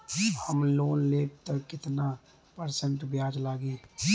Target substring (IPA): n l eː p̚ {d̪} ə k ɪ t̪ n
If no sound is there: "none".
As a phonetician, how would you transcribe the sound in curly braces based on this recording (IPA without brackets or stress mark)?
t̪